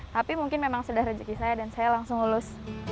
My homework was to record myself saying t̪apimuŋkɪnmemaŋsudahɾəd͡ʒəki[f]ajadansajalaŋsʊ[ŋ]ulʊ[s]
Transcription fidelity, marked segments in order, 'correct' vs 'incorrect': incorrect, correct, correct

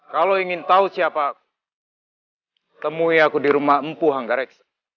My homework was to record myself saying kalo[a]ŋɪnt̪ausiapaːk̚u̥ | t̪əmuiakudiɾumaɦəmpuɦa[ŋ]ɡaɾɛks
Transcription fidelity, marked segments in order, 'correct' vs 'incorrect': incorrect, correct

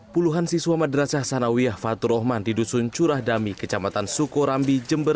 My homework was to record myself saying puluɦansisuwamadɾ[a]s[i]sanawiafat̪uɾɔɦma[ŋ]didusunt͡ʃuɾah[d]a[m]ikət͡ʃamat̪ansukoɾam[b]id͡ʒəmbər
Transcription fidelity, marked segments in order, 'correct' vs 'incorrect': correct, incorrect, incorrect, correct, correct, correct

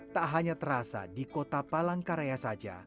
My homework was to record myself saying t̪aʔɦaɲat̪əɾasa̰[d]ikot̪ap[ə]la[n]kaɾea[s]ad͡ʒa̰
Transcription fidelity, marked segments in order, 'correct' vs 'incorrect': correct, incorrect, incorrect, correct

